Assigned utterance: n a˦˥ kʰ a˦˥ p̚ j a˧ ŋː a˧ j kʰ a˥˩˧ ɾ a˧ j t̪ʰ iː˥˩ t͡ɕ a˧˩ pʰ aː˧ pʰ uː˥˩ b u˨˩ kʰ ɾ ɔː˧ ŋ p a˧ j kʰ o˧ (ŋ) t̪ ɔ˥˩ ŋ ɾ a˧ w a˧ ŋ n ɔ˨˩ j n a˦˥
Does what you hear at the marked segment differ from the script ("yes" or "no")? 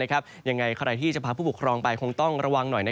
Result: no